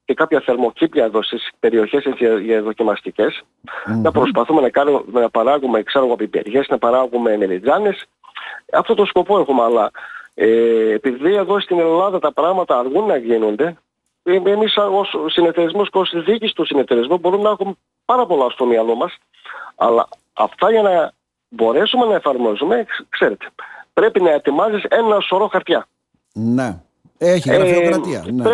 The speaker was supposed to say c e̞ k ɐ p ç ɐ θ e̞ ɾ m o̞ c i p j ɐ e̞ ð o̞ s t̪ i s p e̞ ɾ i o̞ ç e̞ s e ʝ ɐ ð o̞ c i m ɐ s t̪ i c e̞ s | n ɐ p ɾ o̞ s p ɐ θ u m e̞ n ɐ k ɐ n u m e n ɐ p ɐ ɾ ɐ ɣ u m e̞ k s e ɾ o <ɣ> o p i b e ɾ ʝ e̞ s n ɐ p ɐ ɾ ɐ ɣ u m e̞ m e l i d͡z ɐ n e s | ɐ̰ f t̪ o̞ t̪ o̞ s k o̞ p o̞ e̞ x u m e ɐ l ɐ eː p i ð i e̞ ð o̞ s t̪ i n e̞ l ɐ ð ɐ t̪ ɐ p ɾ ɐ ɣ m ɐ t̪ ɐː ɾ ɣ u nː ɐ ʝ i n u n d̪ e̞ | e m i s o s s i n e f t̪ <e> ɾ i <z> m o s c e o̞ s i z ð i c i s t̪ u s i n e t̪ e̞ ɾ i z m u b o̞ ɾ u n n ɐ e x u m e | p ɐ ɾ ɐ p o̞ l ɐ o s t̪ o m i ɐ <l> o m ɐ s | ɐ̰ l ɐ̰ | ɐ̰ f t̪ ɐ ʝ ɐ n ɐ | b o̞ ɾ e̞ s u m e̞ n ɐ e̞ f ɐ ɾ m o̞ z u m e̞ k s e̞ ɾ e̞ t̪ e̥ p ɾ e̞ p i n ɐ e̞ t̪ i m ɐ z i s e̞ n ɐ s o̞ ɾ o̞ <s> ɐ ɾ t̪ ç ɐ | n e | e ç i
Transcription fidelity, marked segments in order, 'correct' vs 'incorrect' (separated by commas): correct, correct, correct, correct, incorrect